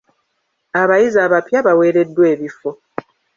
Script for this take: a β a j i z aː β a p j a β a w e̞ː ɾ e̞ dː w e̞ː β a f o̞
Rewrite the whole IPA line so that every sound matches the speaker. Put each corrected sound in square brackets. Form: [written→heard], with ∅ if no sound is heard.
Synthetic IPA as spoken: a β a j i z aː β a p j a β a w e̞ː ɾ e̞ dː w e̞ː β [a→i] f o̞